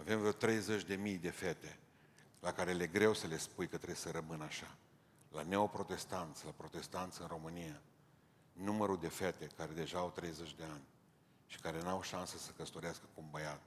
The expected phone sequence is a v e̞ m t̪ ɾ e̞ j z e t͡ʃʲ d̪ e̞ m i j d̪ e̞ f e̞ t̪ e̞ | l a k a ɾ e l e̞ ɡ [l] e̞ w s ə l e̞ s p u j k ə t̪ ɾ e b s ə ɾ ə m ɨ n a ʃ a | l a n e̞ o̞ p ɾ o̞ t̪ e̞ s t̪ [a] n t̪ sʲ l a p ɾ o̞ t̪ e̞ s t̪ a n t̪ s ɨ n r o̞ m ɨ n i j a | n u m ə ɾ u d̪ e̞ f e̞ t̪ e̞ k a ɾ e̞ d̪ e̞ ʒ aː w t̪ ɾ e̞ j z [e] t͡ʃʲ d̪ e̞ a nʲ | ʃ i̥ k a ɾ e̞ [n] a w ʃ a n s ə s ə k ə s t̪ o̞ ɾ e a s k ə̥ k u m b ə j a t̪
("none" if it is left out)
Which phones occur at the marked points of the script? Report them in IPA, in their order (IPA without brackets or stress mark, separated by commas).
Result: ɾ, a, e, n